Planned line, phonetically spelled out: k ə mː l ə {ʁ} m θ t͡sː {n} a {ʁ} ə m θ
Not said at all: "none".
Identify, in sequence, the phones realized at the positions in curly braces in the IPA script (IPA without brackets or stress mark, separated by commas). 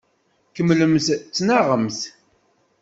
none, n, ʁ